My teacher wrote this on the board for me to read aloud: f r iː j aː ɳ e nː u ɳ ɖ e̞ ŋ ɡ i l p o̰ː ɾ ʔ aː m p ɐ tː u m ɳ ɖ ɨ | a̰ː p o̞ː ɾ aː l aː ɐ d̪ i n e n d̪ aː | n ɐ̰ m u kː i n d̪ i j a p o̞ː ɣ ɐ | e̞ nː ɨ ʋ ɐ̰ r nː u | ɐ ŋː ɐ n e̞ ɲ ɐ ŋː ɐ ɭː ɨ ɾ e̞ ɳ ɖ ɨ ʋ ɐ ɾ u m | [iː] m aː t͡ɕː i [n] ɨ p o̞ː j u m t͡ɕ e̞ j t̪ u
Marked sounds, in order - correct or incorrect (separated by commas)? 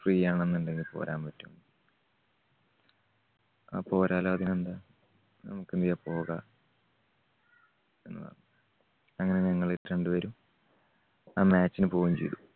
incorrect, correct